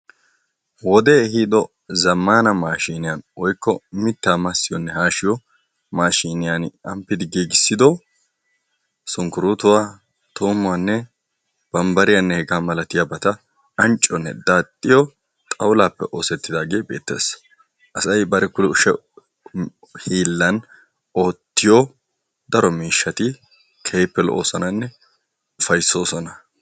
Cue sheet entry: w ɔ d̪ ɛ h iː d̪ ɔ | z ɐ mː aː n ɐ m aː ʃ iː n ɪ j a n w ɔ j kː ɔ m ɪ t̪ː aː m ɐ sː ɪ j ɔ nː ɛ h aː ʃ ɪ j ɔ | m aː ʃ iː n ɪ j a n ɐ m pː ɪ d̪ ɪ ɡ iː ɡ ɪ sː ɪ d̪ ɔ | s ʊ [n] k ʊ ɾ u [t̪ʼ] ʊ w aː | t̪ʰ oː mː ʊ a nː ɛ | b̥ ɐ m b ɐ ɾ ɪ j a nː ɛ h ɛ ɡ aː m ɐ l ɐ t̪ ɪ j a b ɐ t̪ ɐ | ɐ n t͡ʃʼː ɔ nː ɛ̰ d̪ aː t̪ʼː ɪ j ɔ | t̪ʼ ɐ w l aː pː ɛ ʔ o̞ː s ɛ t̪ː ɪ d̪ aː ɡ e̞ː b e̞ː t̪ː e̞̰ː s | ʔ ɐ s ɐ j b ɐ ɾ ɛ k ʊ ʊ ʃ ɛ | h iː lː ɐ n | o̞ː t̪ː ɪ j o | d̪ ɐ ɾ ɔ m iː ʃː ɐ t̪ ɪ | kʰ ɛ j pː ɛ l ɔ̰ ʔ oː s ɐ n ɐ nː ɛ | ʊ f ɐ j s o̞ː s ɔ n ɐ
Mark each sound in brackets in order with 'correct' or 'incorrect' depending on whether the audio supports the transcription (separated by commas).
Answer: incorrect, incorrect